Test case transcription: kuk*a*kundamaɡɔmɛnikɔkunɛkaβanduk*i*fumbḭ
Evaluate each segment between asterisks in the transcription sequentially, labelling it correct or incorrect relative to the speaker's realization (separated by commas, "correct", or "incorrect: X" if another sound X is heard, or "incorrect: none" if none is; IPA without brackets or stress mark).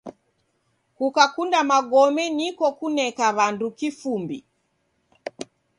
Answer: correct, correct